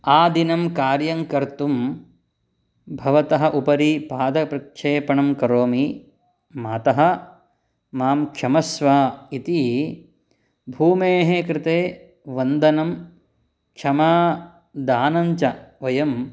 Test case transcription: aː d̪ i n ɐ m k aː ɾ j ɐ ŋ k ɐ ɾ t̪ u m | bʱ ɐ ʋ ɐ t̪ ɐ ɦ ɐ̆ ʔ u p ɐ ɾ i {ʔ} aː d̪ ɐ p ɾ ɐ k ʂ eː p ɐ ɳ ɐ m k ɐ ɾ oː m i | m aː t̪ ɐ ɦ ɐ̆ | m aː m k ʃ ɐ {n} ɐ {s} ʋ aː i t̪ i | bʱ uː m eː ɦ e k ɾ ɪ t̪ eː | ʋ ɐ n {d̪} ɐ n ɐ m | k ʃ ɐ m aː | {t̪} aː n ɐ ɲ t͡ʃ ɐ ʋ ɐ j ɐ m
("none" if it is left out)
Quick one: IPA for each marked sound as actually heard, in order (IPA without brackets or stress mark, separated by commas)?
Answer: p, m, s, d̪, d̪